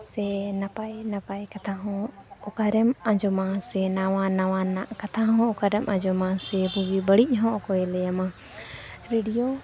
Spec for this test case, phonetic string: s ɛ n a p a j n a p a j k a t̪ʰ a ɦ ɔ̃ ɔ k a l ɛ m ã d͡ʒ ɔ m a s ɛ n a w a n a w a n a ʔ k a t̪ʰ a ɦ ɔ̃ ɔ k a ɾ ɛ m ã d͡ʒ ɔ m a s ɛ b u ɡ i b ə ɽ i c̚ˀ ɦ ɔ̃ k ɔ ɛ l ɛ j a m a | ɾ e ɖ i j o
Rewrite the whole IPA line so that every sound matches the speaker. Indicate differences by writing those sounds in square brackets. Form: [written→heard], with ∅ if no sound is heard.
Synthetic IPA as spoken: s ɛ n a p a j n a p a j k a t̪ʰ a ɦ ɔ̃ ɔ k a [l→ɾ] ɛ m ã d͡ʒ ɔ m a s ɛ n a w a n a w a n a ʔ k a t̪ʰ a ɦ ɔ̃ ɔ k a ɾ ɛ m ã d͡ʒ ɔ m a s ɛ b u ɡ i b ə ɽ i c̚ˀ ɦ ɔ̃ k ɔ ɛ l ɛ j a m a | ɾ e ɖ i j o